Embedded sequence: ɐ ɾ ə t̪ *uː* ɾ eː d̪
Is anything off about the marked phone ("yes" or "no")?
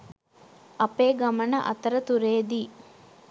yes